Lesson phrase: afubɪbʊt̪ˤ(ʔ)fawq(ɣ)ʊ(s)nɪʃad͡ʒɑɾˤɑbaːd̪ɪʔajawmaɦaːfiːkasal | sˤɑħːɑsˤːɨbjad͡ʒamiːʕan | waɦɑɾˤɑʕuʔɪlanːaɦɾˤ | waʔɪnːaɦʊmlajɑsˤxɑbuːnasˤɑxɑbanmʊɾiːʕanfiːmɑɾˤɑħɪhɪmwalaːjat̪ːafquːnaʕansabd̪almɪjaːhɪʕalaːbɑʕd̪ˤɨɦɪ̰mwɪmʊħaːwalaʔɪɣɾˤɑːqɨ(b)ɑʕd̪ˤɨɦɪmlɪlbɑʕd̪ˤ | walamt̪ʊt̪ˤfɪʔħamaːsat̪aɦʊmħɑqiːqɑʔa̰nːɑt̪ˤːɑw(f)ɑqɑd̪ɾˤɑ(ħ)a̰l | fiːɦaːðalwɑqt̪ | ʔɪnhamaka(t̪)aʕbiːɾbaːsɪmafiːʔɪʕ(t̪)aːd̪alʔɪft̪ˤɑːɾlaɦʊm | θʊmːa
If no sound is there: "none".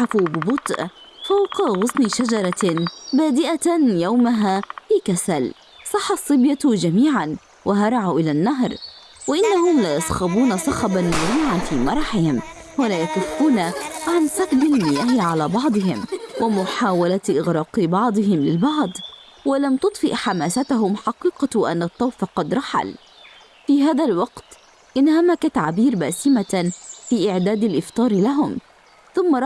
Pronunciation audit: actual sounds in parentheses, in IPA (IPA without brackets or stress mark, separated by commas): ʔ, ɣ, s, b, f, ħ, t̪, d̪